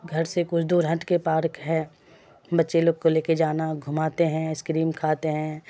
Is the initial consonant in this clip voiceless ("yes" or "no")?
no